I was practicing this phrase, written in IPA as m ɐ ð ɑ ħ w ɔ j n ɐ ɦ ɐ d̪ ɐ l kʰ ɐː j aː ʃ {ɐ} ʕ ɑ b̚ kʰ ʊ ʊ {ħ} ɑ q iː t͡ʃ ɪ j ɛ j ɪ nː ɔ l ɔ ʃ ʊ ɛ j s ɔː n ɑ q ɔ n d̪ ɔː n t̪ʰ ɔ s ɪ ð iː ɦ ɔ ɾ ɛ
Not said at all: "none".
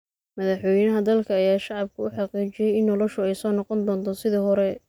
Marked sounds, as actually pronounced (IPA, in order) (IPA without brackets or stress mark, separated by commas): ɑ, ħ